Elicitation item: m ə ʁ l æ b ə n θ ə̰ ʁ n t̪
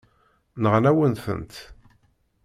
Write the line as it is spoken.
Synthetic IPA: n ə ʁ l æ w ə n θ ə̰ n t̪